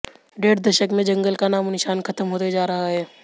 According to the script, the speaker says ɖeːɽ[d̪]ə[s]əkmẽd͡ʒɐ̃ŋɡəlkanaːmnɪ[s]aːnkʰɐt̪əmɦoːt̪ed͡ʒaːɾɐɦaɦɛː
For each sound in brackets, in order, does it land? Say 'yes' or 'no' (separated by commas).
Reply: yes, no, no